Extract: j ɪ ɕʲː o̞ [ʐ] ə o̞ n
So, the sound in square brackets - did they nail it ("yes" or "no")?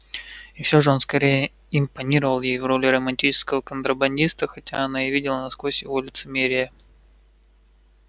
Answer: yes